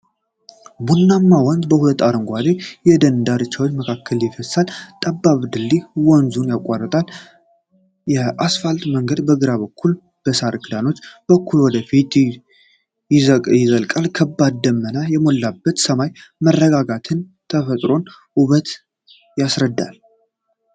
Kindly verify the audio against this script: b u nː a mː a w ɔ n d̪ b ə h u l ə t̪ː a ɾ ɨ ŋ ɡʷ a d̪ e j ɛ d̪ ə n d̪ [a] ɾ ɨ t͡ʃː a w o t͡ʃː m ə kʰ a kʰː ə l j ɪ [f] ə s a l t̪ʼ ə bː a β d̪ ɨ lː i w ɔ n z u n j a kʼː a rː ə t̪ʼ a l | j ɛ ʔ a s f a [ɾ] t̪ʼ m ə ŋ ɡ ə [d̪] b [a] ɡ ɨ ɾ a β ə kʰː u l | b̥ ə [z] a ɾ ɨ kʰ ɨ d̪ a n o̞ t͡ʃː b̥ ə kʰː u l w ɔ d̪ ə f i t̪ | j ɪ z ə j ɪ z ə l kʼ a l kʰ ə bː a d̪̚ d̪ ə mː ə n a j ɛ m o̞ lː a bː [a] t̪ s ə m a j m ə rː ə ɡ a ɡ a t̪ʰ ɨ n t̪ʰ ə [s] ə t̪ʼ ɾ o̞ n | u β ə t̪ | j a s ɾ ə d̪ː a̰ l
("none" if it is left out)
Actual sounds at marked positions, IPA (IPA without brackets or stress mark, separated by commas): a, f, l, d̪, ə, s, ə, f